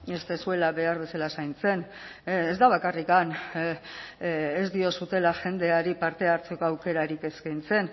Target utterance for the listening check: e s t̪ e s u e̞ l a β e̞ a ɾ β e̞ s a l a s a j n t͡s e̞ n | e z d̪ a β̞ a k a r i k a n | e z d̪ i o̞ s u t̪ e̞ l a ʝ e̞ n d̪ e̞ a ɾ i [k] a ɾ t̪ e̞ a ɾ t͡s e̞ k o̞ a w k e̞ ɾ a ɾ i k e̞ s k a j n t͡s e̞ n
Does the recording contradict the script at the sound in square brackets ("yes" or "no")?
yes